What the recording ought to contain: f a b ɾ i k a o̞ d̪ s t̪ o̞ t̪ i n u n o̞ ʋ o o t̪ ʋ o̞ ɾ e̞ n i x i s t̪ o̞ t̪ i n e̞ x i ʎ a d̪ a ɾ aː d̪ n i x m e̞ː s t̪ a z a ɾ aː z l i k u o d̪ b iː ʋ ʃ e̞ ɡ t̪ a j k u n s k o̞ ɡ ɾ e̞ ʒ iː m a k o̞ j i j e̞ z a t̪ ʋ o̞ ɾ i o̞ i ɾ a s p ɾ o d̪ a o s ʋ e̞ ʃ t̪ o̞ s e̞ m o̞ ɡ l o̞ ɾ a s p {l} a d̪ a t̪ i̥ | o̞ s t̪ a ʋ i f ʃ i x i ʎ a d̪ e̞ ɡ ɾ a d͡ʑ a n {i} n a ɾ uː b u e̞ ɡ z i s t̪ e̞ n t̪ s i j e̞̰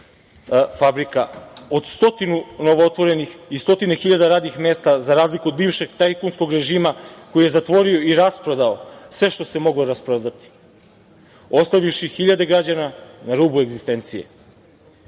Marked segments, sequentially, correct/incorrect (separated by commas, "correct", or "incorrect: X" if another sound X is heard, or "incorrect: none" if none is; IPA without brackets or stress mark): incorrect: ɾ, incorrect: a